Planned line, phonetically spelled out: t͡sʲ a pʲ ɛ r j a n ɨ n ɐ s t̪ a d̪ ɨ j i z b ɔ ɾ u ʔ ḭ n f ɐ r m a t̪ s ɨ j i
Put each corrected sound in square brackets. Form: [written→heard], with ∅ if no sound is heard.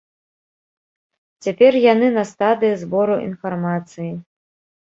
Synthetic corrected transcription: t͡sʲ a pʲ ɛ r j a n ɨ n ɐ s t̪ a d̪ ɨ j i z b ɔ ɾ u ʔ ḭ n f [ɐ→a] r m a t̪ s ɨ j i